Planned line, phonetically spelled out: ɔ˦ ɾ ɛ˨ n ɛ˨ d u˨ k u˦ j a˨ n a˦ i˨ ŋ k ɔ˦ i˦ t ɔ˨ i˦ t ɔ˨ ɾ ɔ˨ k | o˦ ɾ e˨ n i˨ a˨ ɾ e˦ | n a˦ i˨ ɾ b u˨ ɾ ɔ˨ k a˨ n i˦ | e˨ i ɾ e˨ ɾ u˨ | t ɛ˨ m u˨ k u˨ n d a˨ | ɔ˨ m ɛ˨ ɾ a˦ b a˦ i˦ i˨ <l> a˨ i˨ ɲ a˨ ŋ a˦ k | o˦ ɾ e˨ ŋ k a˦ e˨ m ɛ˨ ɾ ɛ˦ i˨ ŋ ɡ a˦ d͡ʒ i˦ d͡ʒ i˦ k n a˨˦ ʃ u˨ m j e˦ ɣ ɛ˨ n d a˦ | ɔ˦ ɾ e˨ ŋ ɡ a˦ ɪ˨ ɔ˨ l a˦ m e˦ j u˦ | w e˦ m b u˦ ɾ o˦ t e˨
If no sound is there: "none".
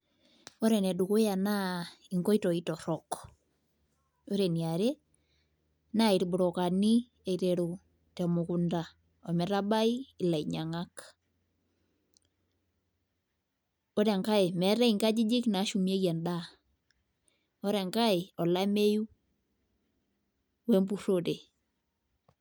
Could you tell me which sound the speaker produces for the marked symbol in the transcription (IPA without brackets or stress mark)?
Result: l